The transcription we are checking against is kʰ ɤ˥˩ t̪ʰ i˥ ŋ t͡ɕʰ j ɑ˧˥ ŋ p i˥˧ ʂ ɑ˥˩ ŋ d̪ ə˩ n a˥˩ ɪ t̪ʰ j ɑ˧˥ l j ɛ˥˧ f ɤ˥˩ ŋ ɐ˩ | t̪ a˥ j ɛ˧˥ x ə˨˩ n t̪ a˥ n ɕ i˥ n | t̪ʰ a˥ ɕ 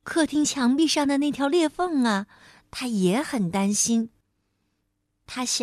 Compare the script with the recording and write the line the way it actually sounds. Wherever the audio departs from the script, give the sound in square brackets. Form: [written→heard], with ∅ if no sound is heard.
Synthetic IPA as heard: kʰ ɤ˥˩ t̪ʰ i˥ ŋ t͡ɕʰ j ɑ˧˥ ŋ p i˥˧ ʂ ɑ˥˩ ŋ d̪ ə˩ n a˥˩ ɪ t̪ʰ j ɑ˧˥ l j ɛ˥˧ f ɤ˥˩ ŋ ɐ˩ | [t̪→t̪ʰ] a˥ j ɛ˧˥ x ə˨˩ n t̪ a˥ n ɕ i˥ n | t̪ʰ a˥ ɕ